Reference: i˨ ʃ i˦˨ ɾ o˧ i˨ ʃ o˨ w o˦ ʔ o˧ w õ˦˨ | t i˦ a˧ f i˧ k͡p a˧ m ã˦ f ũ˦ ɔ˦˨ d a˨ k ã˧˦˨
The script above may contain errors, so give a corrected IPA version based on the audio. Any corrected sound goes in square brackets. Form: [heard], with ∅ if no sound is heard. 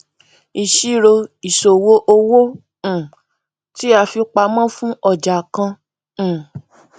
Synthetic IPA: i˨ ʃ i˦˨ ɾ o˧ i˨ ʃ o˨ w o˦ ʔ o˧ w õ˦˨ | t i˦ a˧ f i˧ k͡p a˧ m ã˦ f ũ˦ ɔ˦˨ [d͡ʒ] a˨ k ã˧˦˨